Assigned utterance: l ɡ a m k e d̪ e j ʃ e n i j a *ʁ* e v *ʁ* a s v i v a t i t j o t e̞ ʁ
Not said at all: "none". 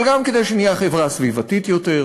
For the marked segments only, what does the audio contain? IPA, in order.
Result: χ, ʁ

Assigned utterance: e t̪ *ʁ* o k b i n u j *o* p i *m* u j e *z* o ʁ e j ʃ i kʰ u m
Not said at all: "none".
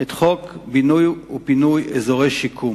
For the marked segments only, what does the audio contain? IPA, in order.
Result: χ, u, n, z

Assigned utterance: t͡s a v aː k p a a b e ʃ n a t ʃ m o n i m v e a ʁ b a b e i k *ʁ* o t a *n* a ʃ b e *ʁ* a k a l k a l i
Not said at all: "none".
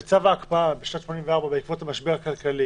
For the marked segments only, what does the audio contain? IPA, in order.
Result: v, m, ʁ

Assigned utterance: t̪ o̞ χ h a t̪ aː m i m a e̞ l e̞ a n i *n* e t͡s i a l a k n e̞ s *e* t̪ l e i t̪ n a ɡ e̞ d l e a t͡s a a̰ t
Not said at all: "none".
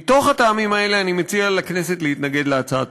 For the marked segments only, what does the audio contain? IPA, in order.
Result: m, e

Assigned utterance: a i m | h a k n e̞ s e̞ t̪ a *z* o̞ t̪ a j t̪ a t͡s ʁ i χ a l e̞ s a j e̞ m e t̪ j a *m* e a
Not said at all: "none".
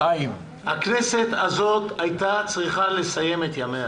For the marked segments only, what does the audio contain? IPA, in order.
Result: z, m

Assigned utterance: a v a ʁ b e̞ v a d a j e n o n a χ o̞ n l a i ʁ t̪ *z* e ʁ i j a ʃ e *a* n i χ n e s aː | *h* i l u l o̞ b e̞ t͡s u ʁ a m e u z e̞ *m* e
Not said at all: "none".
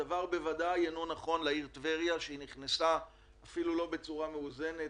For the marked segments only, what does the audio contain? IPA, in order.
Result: v, i, f, n

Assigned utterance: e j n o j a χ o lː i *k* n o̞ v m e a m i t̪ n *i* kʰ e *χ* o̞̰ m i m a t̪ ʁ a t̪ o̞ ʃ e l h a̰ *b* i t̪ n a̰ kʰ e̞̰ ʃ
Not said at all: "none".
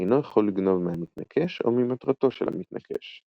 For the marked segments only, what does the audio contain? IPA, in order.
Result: ɡ, a, ʃ, m

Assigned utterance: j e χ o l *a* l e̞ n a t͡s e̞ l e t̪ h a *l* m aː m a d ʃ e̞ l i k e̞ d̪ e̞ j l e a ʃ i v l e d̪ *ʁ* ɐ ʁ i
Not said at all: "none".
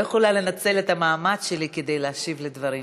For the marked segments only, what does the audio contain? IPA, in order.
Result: a, none, v

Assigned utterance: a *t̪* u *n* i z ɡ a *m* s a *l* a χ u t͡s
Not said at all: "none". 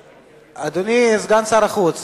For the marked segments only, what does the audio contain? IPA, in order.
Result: d̪, n, n, ɾ

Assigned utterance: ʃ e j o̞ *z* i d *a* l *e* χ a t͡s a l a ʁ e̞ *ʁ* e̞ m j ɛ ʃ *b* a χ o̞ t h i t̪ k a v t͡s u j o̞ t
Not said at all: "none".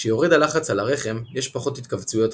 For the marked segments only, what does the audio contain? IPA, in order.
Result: ʁ, a, a, χ, p

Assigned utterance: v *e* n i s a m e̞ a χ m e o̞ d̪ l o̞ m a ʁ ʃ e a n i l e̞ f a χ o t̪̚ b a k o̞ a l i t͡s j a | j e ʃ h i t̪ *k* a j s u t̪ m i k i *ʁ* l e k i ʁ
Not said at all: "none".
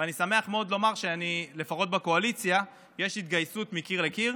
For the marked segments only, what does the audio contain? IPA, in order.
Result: a, ɡ, ʁ

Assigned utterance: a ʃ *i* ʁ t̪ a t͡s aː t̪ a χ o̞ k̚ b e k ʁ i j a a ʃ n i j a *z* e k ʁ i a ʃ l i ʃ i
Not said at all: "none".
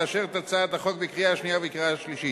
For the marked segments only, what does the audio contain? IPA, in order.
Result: e, v

